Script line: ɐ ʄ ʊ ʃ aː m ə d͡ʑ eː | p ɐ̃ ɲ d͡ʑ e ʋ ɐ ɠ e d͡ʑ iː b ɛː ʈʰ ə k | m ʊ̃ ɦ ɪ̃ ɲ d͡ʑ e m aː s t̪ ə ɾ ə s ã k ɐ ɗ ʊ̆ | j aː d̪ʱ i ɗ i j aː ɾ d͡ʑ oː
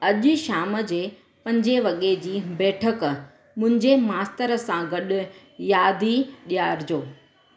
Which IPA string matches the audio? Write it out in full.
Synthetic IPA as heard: ɐ ʄ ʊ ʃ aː m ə d͡ʑ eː | p ɐ̃ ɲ d͡ʑ e ʋ ɐ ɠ e d͡ʑ iː b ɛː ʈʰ ə k | m ʊ̃ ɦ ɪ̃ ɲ d͡ʑ e m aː s t̪ ə ɾ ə s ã ɡ ɐ ɗ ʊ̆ | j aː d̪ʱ i ɗ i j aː ɾ d͡ʑ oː